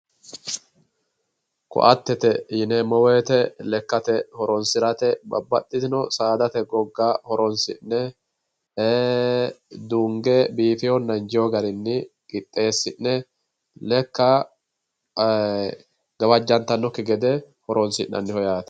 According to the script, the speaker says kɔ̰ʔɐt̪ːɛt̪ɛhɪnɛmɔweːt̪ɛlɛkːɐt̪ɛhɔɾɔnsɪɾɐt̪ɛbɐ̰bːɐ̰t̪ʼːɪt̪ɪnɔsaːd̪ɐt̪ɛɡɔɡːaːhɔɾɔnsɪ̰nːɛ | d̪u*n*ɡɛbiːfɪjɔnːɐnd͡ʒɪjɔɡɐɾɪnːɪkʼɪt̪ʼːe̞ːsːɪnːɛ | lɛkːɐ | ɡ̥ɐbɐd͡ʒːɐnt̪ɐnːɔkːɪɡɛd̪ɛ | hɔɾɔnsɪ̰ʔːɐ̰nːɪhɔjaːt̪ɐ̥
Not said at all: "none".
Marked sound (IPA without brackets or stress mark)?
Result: ŋ